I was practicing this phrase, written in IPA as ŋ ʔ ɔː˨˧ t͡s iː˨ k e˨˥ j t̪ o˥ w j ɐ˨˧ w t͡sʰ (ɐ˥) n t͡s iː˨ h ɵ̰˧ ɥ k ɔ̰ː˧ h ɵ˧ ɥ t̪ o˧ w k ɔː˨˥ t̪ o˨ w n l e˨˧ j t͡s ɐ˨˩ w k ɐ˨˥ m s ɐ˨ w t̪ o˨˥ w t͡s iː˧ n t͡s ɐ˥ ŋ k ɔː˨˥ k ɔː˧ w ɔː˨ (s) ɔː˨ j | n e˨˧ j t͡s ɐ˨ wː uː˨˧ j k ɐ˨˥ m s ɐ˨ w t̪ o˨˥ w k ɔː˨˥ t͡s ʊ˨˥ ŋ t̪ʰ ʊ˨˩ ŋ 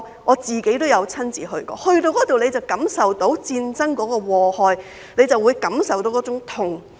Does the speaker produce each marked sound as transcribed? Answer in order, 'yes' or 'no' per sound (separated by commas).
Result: yes, no